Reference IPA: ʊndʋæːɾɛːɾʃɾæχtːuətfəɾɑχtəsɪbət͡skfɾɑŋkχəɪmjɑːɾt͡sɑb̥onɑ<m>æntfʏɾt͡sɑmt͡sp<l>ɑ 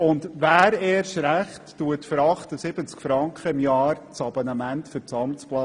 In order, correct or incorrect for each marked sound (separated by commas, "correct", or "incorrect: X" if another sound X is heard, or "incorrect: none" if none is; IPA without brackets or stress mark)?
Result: correct, correct